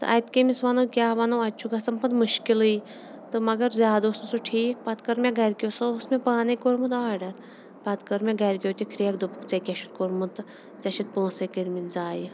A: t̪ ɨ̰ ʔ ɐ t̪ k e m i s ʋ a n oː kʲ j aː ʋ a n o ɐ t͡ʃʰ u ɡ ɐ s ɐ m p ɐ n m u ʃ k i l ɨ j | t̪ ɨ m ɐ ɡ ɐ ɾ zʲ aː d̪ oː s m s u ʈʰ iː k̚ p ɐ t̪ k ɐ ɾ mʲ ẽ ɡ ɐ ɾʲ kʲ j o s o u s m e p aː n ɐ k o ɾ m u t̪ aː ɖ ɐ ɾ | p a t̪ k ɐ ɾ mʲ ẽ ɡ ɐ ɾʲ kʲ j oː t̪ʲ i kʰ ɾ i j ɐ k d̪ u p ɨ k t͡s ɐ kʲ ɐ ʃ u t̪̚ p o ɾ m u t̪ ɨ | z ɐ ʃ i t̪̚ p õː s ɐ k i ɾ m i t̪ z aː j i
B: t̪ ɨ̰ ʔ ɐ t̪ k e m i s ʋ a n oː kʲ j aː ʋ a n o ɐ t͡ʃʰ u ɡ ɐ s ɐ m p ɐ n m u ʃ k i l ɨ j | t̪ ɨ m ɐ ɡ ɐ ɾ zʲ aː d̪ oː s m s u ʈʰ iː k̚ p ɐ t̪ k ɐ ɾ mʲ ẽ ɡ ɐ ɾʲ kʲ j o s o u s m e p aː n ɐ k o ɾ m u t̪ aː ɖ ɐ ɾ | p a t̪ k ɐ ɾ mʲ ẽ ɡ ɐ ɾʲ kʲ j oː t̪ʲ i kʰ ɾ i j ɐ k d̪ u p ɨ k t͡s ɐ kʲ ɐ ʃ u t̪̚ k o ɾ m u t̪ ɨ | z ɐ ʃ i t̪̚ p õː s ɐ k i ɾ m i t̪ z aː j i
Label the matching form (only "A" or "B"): B